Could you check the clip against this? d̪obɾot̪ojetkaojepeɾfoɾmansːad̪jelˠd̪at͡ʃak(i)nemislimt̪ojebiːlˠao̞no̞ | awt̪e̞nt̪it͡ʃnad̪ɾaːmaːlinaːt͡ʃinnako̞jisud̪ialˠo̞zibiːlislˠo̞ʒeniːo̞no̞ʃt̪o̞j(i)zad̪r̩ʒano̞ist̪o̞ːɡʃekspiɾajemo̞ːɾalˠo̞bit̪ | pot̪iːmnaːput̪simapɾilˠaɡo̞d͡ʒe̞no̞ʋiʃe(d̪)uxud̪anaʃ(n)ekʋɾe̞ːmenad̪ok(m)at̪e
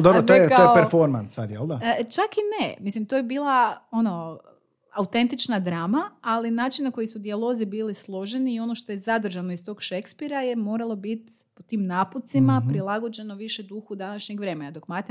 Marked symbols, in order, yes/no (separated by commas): yes, no, yes, no, yes